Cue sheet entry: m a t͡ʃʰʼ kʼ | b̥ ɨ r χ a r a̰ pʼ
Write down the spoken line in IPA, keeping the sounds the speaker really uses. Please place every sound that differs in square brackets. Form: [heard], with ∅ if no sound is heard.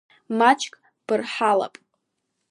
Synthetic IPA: m a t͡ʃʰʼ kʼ | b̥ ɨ r [ħ] a [l] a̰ pʼ